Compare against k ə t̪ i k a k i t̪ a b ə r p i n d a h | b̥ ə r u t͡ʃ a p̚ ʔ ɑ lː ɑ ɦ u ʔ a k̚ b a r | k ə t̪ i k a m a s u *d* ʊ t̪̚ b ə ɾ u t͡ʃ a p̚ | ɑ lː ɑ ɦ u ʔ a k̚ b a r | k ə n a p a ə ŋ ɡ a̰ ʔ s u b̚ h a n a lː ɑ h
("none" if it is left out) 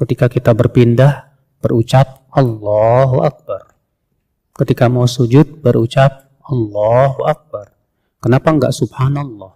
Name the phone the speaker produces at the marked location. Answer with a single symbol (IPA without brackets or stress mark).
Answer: d͡ʒ